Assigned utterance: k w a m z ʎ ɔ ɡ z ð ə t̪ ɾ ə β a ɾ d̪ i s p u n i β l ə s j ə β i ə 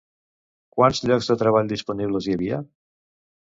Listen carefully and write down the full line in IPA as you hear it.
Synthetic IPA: k w a n z ʎ ɔ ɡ z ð ə t̪ ɾ ə β a ʎ d̪ i s p u n i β l ə z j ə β i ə